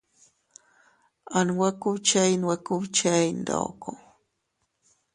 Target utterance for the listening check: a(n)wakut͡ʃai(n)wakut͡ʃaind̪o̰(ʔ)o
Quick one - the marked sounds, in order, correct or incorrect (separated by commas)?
correct, correct, incorrect